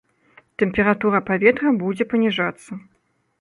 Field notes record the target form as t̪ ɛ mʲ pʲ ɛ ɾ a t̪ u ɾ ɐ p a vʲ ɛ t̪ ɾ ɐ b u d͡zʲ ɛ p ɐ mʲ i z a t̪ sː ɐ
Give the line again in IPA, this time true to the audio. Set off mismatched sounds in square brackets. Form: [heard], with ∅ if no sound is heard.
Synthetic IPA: t̪ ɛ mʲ pʲ ɛ ɾ a t̪ u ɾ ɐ p a vʲ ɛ t̪ ɾ ɐ b u d͡zʲ ɛ p ɐ [nʲ] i [ʐ] a t̪ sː ɐ